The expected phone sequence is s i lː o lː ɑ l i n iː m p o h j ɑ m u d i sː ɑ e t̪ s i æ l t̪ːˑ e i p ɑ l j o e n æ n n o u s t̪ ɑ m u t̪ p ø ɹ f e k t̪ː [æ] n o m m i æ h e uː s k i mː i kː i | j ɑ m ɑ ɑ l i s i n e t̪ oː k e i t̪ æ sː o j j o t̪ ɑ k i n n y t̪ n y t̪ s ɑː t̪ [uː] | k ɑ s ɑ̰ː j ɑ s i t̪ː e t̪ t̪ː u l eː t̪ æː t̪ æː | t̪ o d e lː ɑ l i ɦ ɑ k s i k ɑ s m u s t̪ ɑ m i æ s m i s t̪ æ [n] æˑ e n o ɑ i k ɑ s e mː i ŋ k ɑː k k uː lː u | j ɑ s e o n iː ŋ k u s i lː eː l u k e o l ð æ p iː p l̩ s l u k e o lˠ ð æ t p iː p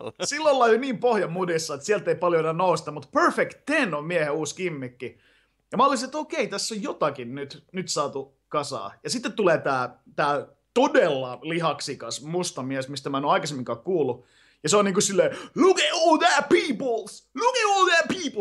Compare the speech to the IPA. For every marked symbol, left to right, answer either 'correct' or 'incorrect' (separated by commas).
incorrect, incorrect, incorrect